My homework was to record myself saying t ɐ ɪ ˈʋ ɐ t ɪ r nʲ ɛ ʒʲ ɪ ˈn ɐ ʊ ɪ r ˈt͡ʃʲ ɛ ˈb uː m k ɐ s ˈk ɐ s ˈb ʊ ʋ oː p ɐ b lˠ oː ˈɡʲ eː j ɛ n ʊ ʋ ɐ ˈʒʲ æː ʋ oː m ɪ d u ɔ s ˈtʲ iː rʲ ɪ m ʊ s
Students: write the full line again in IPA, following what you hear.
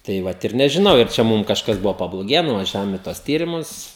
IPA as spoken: t ɐ ɪ ˈʋ ɐ t ɪ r nʲ ɛ ʒʲ ɪ ˈn ɐ ʊ ɪ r ˈt͡ʃʲ ɛ ˈm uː m k ɐ ʃ ˈk ɐ s ˈb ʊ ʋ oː p ɐ b lˠ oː ˈɡʲ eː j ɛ n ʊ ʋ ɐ ˈʒʲ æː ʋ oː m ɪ t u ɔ s ˈtʲ iː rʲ ɪ m ʊ s